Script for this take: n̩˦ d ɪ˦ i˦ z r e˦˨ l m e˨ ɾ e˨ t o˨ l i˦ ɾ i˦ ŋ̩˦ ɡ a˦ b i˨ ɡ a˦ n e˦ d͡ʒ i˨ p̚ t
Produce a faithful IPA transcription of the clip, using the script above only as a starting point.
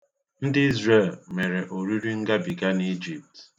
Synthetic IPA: n̩˦ d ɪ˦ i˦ z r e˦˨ l m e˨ ɾ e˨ ʔ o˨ ɾ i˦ ɾ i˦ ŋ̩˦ ɡ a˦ b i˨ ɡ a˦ n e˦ d͡ʒ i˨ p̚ t